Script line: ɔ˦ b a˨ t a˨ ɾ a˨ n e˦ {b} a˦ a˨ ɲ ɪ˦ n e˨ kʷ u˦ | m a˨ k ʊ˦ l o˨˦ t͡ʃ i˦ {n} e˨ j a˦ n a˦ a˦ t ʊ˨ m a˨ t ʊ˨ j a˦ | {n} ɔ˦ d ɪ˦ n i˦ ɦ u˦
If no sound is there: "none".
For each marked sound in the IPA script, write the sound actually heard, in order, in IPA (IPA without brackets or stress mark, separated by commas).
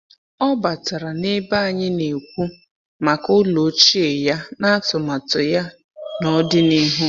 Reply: b, none, n